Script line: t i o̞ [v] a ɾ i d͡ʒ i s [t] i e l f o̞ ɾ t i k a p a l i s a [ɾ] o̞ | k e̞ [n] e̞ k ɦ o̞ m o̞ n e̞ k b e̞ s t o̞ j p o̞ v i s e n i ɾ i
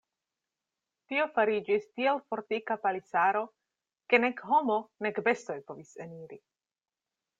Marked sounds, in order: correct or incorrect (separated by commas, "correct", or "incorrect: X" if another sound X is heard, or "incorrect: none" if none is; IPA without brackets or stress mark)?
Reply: incorrect: f, correct, correct, correct